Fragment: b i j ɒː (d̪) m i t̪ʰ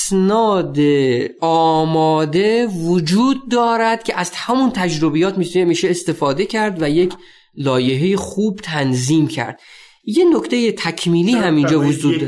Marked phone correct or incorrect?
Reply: incorrect